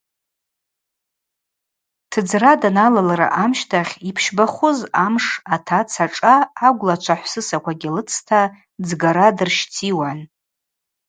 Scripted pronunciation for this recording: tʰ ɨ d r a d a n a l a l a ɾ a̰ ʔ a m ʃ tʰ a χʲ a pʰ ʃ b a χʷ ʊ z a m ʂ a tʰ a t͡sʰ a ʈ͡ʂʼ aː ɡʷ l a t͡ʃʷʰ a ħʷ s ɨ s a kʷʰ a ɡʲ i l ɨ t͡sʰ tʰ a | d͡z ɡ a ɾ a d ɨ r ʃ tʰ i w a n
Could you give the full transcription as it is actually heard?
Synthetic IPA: tʰ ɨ d͡z r a d a n a l a l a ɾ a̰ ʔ a m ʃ tʰ a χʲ i pʰ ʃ b a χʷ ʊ z a m ʂ a tʰ a t͡sʰ a ʈ͡ʂʼ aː ɡʷ l a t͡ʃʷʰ a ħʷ s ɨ s a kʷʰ a ɡʲ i l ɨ t͡sʰ tʰ a | d͡z ɡ a ɾ a d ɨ r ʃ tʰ i w a n

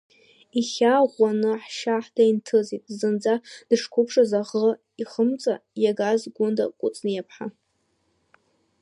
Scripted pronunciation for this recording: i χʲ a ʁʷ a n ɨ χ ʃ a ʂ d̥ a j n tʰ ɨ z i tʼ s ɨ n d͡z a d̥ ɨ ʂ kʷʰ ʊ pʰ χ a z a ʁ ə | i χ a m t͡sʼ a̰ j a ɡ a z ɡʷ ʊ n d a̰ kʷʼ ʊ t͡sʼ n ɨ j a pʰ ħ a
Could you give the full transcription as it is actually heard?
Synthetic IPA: i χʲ a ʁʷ a n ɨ ħ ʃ a ħ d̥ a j n tʰ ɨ z i tʼ z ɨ n d͡z a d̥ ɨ ʂ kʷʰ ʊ pʰ ʂ a z a ʁ ə | i χ ə m t͡sʼ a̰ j a ɡ a z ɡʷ ʊ n d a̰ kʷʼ ʊ t͡sʼ n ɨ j a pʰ ħ a

